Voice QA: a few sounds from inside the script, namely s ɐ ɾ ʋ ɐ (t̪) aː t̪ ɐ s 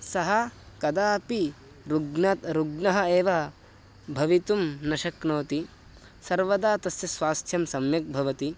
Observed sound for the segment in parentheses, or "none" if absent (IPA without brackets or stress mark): d̪